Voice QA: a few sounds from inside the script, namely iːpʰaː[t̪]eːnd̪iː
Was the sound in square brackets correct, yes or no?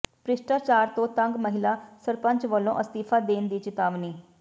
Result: no